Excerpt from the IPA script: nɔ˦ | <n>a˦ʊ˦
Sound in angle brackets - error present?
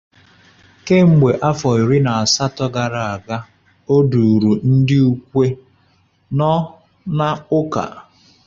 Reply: no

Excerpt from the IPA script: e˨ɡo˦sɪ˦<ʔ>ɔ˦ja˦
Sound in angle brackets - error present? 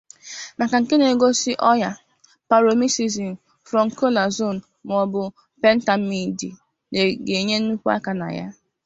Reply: no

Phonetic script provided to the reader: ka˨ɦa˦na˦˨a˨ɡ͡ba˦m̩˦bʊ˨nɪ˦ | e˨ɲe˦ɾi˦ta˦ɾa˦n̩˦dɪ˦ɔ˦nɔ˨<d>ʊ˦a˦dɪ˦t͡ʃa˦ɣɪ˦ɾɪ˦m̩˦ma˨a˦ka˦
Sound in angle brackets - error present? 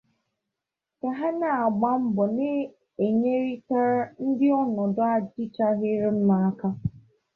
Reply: no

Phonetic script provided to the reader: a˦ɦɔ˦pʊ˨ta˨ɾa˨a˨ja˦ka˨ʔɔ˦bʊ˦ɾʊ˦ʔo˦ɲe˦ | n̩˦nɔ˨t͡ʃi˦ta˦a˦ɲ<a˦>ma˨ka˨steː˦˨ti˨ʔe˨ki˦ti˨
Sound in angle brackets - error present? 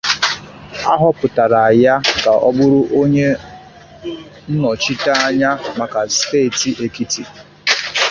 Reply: no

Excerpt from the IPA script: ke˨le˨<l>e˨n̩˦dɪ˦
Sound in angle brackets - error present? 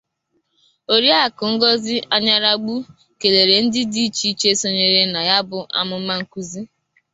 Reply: yes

